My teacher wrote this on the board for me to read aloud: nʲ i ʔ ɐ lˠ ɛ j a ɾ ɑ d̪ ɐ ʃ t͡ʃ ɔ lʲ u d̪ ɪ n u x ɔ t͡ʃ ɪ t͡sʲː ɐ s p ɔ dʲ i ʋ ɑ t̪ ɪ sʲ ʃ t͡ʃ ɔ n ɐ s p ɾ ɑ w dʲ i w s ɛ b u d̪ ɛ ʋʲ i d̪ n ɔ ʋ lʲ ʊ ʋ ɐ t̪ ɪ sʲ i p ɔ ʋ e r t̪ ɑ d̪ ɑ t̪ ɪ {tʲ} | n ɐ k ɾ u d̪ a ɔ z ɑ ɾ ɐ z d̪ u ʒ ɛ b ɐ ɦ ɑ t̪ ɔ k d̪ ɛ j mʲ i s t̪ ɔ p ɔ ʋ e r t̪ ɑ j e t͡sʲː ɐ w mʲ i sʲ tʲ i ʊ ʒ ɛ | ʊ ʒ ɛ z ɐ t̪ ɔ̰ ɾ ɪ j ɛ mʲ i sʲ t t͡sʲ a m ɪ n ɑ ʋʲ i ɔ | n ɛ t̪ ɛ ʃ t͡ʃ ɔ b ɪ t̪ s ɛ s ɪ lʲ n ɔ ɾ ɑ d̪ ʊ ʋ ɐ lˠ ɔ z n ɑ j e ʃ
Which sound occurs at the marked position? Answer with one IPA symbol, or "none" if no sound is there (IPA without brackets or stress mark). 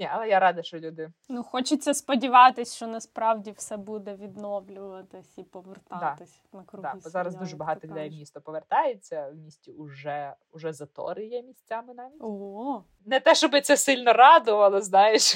sʲ